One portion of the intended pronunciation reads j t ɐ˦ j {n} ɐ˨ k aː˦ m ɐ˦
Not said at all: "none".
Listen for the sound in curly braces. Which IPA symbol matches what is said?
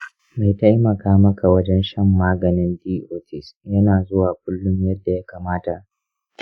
m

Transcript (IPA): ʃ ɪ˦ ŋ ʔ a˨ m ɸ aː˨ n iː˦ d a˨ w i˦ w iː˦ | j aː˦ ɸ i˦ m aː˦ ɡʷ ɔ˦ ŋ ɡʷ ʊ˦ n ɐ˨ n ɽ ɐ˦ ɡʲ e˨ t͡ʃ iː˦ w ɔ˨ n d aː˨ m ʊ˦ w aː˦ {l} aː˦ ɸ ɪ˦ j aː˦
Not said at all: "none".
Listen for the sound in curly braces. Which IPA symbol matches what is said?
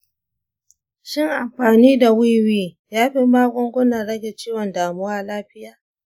l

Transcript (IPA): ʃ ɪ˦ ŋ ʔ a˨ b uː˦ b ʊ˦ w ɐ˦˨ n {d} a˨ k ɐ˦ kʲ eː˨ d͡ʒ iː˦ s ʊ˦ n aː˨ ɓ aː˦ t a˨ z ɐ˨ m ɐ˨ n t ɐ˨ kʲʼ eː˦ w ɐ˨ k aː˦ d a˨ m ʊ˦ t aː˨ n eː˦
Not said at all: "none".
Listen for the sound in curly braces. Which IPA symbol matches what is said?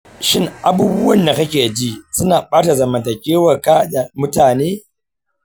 d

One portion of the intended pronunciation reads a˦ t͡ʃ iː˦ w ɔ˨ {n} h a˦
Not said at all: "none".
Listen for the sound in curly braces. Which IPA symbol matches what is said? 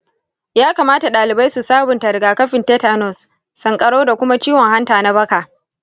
ŋ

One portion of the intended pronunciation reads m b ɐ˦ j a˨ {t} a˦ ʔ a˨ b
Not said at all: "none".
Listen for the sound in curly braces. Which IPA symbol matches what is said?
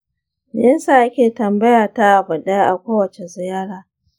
t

